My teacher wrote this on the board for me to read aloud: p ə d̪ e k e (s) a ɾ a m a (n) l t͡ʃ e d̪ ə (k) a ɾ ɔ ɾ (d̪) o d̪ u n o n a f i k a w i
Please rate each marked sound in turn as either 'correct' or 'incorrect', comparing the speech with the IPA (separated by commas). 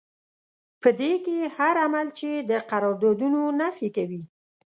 incorrect, incorrect, incorrect, correct